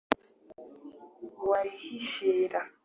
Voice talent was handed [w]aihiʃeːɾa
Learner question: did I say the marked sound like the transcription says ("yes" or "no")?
yes